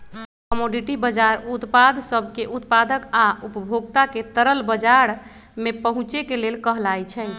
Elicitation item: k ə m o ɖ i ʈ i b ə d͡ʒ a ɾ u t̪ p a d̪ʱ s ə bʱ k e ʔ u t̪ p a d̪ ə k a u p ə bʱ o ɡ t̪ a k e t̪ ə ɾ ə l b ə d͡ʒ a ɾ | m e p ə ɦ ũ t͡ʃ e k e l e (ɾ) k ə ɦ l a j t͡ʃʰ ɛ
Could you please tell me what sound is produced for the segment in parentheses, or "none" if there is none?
l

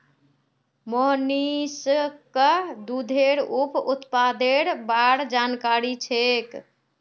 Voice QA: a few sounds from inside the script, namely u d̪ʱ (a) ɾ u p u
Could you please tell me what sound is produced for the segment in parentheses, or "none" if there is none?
e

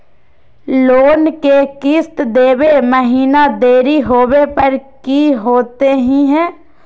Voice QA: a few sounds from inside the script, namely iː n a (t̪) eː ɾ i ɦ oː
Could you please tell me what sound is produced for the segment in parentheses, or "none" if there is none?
d̪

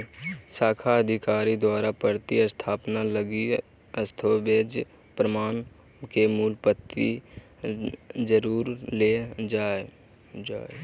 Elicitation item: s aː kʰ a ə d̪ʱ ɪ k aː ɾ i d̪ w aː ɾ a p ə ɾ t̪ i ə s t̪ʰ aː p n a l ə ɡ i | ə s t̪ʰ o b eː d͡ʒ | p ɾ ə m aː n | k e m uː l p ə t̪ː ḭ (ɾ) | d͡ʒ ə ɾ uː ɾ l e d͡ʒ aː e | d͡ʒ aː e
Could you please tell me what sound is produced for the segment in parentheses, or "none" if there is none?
none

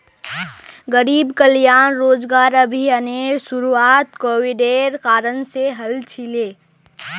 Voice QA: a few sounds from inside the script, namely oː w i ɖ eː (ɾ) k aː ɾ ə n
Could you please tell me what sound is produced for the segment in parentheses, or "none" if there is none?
ɾ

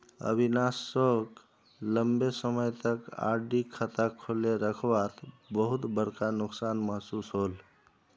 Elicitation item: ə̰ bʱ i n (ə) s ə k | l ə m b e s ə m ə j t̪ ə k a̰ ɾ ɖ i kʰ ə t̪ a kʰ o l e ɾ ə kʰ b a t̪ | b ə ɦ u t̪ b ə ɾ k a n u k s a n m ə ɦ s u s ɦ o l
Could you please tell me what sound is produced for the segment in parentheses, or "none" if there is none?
a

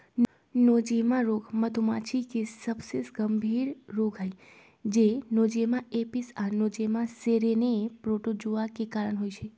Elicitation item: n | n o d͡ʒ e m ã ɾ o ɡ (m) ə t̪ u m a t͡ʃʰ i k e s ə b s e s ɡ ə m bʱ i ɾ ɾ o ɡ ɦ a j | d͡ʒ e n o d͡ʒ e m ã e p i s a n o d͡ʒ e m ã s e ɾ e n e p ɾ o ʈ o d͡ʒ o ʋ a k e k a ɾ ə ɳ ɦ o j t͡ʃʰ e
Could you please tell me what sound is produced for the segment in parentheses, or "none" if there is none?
m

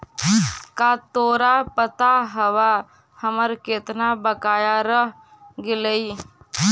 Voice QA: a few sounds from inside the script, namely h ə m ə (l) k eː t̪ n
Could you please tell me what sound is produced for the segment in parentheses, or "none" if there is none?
ɾ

